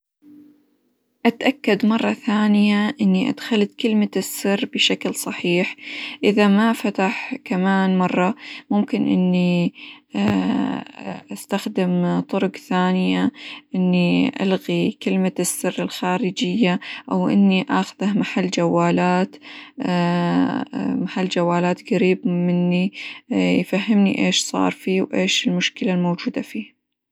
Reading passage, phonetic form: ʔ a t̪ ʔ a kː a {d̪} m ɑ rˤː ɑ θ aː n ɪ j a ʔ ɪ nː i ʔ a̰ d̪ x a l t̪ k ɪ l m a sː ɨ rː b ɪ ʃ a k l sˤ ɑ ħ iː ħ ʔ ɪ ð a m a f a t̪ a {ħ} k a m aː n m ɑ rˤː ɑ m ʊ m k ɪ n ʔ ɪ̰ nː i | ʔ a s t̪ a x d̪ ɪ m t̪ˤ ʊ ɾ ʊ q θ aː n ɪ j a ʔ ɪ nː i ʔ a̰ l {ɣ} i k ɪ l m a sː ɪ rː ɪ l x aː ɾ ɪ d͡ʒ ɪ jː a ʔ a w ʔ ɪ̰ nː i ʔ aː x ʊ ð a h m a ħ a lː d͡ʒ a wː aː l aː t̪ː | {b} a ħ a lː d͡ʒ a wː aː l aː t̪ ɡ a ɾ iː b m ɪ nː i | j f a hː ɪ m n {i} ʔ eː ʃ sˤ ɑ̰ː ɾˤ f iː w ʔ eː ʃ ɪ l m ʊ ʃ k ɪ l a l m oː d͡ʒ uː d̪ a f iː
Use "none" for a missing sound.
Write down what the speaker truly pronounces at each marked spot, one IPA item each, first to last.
d̪, ħ, ɣ, m, i

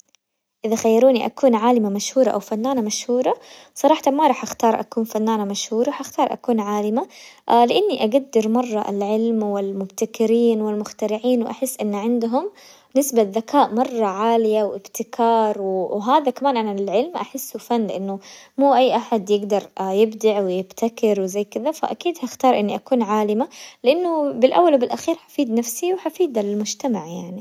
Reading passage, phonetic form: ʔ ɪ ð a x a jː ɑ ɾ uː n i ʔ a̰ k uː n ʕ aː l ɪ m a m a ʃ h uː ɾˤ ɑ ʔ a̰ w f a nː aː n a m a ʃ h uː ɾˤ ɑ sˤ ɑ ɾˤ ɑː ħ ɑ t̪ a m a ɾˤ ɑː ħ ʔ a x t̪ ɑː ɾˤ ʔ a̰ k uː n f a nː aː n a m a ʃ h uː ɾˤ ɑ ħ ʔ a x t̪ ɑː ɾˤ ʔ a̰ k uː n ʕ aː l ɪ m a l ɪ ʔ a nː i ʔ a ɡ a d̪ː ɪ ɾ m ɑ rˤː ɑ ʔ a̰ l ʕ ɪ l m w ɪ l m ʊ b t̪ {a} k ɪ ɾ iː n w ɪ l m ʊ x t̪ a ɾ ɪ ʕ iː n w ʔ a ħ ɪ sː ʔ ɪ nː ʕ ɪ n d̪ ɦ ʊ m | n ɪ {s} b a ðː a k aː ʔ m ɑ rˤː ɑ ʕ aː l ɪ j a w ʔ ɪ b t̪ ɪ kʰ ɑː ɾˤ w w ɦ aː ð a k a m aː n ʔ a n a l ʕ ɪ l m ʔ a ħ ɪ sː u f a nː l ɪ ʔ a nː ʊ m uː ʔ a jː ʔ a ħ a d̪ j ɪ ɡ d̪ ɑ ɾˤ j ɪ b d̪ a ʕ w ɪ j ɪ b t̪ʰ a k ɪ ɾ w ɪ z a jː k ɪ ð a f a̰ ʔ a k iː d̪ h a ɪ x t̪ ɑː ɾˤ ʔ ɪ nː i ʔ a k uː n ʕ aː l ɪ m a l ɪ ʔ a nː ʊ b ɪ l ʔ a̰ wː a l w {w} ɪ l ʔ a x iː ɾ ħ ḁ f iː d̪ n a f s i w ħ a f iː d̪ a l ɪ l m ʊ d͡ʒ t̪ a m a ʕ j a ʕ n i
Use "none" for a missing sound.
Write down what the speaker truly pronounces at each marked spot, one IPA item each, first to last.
a, s, b

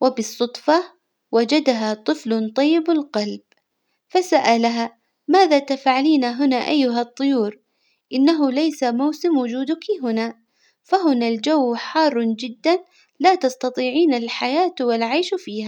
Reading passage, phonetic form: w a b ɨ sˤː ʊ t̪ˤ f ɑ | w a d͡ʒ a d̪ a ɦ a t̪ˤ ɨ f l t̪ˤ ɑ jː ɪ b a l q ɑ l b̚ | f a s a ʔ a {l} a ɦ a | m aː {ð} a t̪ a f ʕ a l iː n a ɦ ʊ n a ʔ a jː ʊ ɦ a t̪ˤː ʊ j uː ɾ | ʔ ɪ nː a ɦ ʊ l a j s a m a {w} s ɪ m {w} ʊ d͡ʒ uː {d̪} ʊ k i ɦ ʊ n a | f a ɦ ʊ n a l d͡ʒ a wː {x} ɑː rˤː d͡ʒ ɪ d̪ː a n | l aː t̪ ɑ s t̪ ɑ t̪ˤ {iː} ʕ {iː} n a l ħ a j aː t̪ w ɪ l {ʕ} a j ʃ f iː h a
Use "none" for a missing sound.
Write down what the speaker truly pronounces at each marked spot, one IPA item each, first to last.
l, ð, w, w, d̪, ħ, iː, iː, ʕ

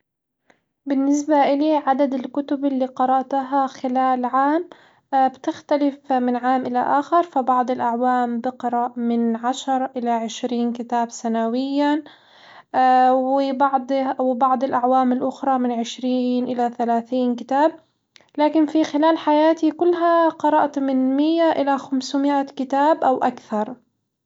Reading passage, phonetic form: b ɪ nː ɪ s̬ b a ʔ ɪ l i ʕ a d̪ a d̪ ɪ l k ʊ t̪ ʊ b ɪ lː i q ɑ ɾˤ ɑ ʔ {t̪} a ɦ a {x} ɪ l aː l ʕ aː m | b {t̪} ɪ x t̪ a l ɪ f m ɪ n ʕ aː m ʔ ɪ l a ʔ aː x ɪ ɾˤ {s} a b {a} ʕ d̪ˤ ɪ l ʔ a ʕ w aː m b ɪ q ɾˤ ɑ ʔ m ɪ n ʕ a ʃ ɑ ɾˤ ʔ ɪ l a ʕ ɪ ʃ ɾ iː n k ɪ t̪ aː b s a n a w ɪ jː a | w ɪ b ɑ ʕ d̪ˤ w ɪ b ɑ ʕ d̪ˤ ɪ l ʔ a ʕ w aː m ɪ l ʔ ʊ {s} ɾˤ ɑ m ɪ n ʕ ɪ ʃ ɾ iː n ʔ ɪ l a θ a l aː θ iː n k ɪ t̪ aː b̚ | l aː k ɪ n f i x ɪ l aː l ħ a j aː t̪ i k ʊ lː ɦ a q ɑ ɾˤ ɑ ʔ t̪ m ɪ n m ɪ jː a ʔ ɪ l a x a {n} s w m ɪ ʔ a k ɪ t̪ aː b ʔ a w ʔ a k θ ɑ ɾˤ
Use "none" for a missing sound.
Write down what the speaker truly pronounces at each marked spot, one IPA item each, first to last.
t̪, x, t̪, f, ɑ, x, m

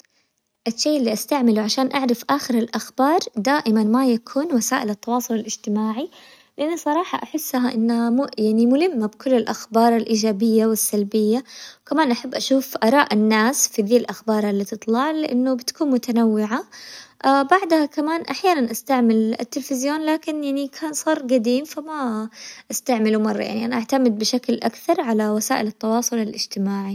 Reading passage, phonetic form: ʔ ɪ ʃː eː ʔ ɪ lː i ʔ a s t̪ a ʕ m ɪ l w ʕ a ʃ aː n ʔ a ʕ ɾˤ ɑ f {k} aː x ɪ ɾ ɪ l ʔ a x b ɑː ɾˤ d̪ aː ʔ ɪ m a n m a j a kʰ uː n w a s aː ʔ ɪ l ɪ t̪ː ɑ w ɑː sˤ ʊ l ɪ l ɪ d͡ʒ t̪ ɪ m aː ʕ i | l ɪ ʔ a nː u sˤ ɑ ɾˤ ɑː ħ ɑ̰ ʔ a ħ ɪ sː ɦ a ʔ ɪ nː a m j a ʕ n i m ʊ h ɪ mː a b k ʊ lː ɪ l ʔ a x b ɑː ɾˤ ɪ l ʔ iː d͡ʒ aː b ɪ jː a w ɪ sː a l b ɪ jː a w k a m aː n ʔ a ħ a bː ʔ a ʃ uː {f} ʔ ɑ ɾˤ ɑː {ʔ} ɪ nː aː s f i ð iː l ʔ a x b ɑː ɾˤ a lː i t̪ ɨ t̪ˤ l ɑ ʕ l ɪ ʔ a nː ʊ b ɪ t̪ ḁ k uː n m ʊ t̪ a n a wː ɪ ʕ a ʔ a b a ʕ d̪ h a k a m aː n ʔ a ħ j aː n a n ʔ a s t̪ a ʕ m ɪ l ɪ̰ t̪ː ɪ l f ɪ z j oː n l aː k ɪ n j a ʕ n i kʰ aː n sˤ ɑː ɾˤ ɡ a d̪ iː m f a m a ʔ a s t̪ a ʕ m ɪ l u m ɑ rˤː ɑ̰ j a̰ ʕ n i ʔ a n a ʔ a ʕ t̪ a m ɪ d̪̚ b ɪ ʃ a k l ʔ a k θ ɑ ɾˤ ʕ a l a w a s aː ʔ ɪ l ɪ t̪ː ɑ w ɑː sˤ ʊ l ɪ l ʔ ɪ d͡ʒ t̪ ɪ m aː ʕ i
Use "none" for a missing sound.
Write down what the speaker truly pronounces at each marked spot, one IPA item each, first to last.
ʔ, f, ʔ

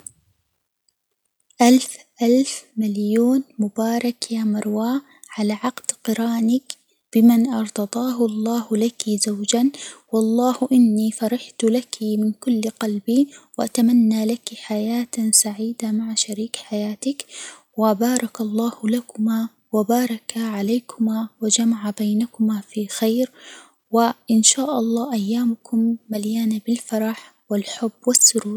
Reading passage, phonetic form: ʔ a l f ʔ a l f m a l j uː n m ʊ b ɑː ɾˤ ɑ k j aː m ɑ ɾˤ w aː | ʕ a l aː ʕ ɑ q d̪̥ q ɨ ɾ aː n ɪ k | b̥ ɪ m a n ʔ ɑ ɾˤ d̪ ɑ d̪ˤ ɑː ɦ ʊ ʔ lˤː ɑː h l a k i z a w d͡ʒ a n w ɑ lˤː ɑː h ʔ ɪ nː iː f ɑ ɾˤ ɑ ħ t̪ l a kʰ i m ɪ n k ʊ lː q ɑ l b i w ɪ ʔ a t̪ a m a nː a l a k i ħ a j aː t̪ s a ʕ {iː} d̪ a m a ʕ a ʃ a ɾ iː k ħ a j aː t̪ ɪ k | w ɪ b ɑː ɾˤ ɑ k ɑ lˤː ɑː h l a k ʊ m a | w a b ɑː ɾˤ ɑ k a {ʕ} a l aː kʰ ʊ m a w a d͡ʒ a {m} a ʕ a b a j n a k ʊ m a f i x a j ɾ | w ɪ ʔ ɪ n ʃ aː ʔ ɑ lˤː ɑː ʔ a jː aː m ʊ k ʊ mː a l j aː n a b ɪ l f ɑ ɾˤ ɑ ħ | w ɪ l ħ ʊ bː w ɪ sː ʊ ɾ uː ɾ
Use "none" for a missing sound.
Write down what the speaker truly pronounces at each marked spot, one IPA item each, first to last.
iː, ʕ, m

